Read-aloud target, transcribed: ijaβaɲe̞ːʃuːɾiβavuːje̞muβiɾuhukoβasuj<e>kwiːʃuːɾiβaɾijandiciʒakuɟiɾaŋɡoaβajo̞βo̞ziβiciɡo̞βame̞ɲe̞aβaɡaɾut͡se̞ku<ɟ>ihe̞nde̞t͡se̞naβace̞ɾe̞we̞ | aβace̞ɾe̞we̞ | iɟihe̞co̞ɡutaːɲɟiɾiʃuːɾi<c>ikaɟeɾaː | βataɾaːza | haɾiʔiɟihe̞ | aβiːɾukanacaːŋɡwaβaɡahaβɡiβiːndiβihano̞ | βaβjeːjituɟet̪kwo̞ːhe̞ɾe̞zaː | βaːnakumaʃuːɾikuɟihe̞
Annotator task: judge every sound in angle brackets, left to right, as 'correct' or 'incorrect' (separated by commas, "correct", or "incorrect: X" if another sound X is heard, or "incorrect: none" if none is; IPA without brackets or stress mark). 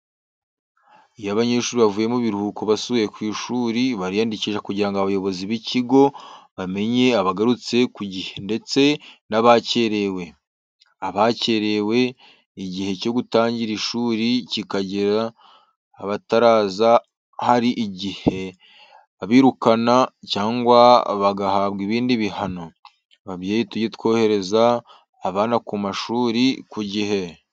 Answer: correct, correct, correct